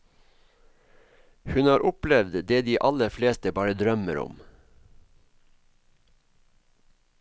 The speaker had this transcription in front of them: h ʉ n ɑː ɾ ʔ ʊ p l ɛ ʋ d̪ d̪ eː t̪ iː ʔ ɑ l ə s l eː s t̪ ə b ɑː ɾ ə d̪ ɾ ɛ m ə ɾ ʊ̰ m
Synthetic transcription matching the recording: h ʉ n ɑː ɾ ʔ ʊ p l ɛ ʋ d̪ d̪ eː d̪ iː ʔ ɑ l ə f l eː s t̪ ə b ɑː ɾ ə d̪ ɾ œ m ə ɾ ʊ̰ m